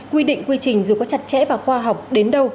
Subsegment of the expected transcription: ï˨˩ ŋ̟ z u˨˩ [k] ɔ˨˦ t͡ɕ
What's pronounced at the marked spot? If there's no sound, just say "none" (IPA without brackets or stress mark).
k